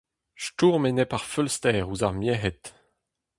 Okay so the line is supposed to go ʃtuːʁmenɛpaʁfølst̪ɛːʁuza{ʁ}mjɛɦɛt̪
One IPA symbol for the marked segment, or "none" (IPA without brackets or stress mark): ʁ